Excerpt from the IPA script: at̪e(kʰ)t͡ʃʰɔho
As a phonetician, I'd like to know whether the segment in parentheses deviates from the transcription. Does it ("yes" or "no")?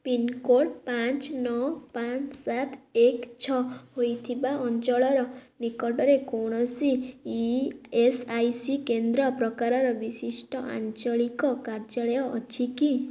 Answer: yes